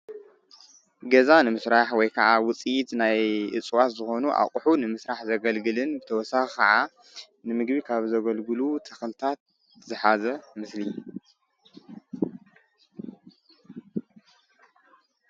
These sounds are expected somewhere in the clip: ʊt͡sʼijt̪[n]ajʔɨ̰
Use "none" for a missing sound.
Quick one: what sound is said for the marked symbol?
n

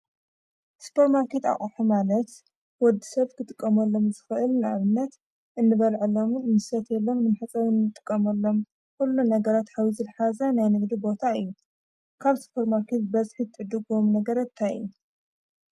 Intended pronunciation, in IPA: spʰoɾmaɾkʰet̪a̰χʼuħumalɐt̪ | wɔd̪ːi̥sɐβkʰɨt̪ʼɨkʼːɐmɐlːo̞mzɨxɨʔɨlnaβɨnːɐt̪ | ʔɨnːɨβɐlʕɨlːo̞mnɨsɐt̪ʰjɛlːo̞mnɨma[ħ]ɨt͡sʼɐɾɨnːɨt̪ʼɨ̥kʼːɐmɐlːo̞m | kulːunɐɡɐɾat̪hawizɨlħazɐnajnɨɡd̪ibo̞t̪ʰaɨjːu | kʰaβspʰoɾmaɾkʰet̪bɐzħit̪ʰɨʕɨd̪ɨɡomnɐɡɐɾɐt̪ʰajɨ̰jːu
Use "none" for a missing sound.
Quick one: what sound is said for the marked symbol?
ħ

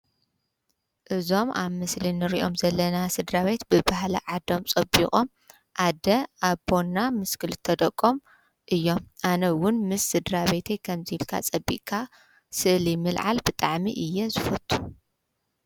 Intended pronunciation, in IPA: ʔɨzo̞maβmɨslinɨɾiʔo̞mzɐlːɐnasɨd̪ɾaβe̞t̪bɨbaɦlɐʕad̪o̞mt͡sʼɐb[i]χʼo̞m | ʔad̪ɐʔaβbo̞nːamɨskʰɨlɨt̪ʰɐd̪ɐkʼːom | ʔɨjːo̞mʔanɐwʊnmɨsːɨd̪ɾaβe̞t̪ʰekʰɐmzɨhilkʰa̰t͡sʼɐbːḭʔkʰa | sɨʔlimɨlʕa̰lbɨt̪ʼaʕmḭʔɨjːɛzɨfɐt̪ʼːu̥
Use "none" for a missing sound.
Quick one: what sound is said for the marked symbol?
i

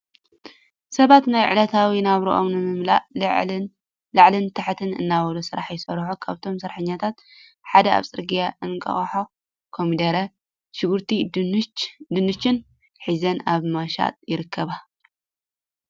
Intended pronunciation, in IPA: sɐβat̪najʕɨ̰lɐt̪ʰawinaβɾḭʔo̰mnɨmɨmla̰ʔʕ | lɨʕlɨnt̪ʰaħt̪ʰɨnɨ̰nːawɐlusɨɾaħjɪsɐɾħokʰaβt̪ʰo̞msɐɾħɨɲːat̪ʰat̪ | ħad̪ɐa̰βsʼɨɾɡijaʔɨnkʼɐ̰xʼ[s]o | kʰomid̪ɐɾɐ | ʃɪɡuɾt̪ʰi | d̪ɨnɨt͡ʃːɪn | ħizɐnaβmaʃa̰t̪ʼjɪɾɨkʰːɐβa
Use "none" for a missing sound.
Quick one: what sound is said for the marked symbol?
ħ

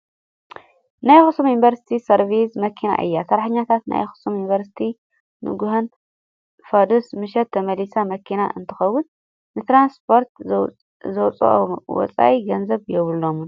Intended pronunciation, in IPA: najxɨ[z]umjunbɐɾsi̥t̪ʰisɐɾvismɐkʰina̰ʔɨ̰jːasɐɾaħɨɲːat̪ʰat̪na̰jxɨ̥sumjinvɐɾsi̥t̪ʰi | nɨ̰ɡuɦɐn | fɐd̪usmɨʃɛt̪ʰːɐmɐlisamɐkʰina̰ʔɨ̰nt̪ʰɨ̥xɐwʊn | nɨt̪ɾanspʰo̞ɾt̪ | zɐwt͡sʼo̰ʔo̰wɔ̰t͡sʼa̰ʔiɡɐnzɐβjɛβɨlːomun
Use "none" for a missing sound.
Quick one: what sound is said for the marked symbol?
s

